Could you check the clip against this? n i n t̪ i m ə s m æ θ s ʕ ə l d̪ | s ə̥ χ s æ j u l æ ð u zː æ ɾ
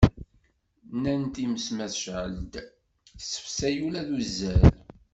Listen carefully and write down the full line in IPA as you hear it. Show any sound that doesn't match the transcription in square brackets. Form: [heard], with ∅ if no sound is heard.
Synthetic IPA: n [æ] n t̪ i m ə s m æ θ [ʃ] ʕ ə l d̪ | s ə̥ [f] s æ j u l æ ð u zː æ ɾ